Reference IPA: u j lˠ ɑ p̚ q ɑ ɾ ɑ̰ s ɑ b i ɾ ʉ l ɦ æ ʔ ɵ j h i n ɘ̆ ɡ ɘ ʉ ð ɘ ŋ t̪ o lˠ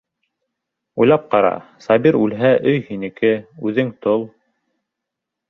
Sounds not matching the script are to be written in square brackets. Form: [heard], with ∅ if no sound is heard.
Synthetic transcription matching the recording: u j lˠ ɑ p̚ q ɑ ɾ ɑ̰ s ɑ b i ɾ ʉ l ɦ æ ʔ ɵ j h i n ɘ̆ [k] ɘ ʉ ð ɘ ŋ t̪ o lˠ